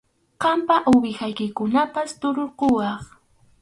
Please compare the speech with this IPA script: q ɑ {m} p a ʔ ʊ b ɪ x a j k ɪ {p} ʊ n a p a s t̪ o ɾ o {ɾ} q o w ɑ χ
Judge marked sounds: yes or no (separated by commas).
yes, no, yes